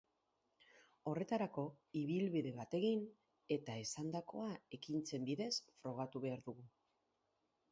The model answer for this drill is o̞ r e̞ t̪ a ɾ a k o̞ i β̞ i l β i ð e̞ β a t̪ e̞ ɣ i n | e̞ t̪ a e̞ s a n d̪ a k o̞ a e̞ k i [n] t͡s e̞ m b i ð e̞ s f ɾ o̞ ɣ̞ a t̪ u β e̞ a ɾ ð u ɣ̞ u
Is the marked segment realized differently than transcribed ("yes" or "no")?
no